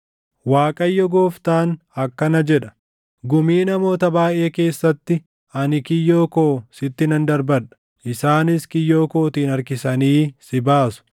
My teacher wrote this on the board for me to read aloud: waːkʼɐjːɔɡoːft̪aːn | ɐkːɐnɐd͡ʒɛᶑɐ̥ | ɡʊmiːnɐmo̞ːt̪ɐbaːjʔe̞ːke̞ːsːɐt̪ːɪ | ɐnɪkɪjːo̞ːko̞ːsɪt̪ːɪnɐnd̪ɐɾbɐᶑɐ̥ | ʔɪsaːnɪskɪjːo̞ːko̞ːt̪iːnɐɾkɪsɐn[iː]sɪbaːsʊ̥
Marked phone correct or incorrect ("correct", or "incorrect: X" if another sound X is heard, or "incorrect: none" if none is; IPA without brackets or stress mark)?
correct